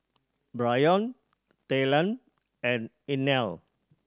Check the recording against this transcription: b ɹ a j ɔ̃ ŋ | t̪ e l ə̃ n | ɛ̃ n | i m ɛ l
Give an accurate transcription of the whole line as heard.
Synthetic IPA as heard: b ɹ a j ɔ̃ n | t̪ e l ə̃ n | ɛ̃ n | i n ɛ l